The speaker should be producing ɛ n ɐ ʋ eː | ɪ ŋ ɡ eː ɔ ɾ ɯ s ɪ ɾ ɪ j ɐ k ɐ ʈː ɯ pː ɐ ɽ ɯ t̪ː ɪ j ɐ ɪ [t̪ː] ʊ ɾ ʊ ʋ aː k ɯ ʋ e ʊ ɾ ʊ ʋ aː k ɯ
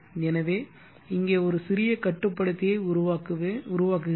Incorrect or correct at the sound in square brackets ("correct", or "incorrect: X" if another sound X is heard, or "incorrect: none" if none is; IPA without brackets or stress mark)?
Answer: incorrect: none